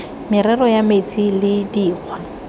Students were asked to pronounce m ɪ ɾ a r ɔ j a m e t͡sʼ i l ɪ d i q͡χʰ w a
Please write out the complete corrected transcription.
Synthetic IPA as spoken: m ɪ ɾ ɛ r ɔ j a m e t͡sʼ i l ɪ d iː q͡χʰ w a